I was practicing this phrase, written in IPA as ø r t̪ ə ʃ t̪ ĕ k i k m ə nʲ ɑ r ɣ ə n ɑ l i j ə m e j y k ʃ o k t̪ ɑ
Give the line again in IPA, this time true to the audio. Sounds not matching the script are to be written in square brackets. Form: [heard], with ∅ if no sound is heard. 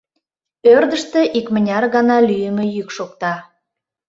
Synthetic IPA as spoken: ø r [d̪] ə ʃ t̪ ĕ [ʔ] i k m ə nʲ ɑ r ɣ [ɑ] n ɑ l [y] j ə m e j y k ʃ o k t̪ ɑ